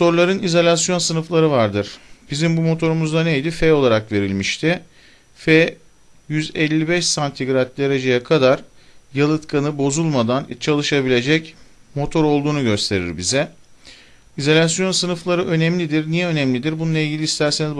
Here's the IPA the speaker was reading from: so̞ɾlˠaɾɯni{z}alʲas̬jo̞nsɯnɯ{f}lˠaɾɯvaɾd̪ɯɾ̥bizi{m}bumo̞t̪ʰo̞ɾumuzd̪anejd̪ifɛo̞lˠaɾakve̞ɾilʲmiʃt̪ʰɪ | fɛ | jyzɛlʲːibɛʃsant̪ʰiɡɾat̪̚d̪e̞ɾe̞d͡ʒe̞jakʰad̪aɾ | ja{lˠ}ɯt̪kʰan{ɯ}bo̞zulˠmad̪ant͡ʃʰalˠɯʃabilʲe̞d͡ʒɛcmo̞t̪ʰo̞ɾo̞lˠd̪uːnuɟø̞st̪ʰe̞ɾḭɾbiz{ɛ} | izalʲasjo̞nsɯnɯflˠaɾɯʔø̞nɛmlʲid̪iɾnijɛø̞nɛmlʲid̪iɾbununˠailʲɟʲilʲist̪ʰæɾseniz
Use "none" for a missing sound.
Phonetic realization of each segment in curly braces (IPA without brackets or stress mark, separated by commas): z, f, m, lˠ, ɯ, ɛ